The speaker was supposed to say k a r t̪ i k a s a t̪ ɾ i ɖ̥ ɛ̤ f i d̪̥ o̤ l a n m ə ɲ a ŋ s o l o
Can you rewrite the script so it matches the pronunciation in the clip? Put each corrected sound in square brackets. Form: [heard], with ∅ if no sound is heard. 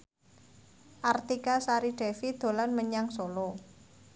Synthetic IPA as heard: [ʔ] a r t̪ i k a s a [∅] ɾ i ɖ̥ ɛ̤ f i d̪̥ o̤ l a n m ə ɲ a ŋ s o l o